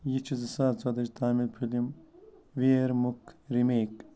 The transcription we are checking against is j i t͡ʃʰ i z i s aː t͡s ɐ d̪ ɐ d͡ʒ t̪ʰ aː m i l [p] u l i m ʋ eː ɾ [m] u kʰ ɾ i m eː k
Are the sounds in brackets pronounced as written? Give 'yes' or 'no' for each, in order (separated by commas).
no, yes